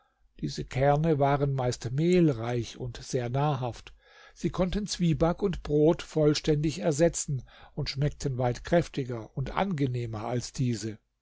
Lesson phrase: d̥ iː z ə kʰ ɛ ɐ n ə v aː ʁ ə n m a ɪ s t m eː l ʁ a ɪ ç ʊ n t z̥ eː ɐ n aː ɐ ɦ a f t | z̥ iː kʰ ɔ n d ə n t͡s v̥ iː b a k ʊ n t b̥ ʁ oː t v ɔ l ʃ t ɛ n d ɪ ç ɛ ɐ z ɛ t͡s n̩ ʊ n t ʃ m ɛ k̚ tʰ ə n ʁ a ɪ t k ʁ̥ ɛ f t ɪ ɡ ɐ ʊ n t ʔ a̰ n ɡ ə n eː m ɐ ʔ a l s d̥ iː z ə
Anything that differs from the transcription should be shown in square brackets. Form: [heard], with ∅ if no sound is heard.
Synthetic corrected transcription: d̥ iː z ə kʰ ɛ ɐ n ə v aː ʁ ə n m a ɪ s t m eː l ʁ a ɪ ç ʊ n t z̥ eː ɐ n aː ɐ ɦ a f t | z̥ iː kʰ ɔ n [t] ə n t͡s v̥ iː b a k ʊ n t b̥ ʁ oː t [f] ɔ l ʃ t ɛ n d ɪ ç ɛ ɐ z ɛ t͡s n̩ ʊ n t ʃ m ɛ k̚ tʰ ə n [v] a ɪ t k ʁ̥ ɛ f t ɪ ɡ ɐ ʊ n t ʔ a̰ n ɡ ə n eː m ɐ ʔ a l s d̥ iː z ə